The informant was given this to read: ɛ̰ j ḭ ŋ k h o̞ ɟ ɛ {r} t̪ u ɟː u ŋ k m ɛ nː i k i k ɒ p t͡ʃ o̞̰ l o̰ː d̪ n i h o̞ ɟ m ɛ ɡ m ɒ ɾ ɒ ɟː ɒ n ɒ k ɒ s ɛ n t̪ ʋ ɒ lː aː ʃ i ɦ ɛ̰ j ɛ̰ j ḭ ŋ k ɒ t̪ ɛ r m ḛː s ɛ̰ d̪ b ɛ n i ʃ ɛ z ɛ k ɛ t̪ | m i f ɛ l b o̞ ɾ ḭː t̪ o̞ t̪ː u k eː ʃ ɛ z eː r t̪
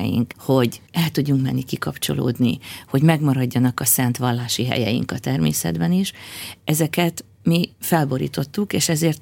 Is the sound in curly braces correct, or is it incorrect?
incorrect